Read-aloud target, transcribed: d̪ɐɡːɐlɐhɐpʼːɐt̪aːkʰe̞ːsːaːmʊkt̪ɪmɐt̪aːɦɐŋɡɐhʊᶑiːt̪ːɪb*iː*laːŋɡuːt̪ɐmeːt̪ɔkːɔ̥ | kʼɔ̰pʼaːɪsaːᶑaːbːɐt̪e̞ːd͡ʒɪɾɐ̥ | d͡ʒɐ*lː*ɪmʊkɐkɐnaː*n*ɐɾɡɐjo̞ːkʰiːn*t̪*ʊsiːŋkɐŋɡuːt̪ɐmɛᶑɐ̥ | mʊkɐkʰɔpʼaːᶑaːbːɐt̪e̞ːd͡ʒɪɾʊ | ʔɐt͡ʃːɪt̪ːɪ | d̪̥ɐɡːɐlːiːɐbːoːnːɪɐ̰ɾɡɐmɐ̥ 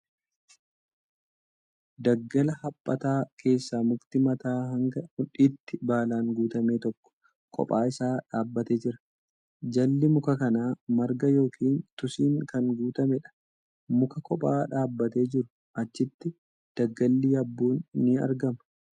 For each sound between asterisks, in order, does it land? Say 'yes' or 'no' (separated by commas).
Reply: no, yes, no, yes